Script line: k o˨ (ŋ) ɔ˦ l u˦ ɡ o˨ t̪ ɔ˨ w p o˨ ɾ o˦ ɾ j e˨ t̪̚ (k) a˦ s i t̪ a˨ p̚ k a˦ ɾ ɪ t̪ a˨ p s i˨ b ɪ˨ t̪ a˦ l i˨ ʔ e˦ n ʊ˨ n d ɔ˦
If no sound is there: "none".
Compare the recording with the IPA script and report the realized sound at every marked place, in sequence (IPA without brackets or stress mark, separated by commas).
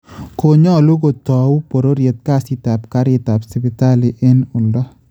ɲ, k